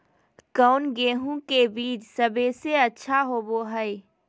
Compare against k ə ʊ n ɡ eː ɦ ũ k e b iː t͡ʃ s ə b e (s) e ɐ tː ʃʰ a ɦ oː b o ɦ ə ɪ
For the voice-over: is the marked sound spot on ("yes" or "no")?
yes